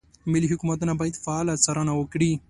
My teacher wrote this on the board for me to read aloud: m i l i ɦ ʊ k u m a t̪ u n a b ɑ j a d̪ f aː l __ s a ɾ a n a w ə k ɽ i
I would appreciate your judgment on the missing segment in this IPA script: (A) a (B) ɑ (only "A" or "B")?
A